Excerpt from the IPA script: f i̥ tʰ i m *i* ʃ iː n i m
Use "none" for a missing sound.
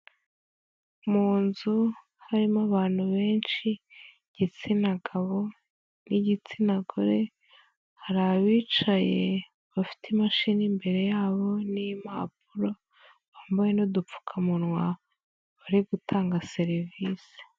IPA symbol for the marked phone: a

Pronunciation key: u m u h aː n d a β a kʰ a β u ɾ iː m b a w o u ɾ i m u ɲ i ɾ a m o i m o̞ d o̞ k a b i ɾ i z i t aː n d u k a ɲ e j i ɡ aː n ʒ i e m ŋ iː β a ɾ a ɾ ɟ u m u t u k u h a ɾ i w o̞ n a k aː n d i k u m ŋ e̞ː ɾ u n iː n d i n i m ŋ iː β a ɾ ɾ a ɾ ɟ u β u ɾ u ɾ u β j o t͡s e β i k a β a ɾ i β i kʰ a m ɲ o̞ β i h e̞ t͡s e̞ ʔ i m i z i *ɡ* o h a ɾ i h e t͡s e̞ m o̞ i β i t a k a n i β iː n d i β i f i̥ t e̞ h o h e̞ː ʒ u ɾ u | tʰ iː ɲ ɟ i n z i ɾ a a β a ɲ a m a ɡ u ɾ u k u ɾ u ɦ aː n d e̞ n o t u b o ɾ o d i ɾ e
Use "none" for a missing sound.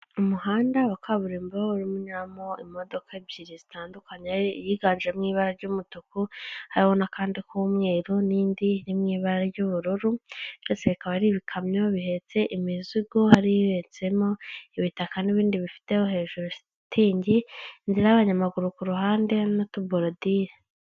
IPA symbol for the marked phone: ɡ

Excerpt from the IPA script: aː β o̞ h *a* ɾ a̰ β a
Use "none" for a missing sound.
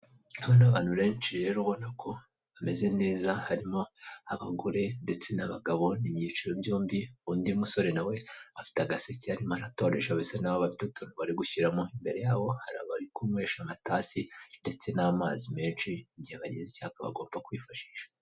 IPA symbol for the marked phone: a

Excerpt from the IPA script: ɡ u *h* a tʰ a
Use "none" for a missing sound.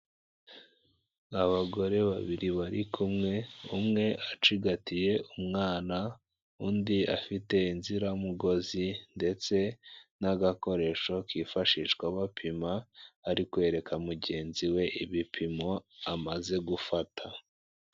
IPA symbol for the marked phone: f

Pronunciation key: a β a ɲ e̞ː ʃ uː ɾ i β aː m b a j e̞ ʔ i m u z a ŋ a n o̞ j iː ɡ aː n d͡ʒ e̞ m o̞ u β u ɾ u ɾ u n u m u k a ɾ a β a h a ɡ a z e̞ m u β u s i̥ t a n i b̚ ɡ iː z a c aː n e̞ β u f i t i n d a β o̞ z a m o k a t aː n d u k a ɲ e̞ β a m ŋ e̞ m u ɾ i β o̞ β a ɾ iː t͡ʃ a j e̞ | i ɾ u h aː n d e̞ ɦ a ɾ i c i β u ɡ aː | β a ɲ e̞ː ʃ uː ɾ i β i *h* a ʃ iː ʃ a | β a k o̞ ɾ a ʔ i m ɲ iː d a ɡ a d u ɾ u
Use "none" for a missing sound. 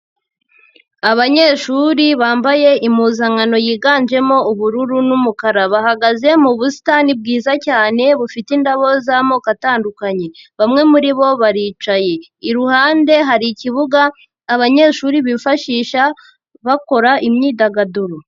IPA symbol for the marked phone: f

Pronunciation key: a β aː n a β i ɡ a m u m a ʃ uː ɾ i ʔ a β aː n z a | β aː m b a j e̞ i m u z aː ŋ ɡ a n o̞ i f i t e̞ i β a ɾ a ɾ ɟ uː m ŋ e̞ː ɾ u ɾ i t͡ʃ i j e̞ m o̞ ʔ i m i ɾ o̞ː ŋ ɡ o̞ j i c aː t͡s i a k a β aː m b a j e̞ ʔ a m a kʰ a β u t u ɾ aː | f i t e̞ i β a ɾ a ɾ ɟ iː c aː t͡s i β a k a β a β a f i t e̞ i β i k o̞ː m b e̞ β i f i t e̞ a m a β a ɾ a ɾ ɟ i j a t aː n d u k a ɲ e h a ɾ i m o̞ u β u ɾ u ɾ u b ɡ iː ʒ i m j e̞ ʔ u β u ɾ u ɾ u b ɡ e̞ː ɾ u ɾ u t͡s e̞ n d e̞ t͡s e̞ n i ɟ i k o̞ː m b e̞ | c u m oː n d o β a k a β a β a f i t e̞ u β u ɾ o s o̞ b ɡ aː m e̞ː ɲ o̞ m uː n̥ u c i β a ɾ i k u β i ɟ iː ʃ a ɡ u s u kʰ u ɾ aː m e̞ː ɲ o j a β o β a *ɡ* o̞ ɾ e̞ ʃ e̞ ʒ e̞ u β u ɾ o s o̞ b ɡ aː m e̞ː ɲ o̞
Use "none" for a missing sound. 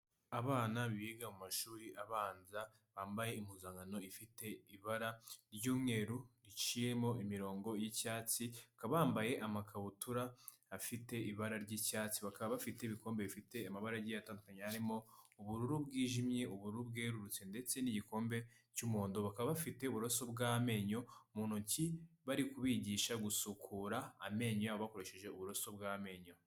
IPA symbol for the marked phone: k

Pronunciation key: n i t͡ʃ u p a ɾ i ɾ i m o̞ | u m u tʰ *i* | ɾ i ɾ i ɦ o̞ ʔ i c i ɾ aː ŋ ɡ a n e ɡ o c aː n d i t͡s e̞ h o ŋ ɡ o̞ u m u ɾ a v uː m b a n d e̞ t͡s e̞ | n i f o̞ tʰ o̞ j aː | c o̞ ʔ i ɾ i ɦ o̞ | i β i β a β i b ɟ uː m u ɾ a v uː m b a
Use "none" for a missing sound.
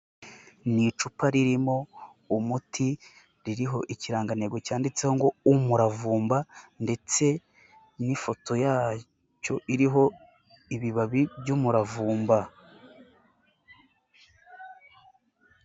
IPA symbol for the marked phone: i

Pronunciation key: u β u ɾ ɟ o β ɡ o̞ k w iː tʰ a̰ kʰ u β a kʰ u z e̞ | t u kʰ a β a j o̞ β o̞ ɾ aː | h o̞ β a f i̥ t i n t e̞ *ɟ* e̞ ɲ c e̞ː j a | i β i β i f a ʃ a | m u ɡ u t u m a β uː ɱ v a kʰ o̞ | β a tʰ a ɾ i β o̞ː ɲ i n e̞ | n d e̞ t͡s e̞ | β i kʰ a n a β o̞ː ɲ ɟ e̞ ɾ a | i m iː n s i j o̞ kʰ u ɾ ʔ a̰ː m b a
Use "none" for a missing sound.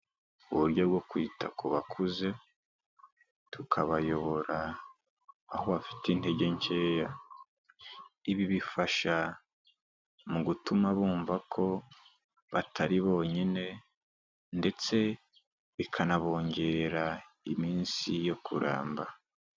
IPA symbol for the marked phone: ɟ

